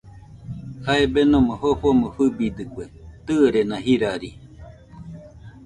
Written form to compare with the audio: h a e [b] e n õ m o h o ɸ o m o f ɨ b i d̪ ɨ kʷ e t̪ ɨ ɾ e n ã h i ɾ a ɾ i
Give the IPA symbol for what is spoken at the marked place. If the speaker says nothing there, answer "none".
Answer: b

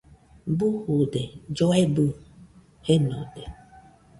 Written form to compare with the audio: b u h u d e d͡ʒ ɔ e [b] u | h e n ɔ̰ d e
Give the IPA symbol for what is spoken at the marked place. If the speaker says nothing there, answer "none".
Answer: b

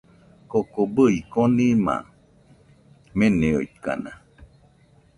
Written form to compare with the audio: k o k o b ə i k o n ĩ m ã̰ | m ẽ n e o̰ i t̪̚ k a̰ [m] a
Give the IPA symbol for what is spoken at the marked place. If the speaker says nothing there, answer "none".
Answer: n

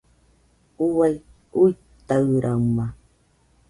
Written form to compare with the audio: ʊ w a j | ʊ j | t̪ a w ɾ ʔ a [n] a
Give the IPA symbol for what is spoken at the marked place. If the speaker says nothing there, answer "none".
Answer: m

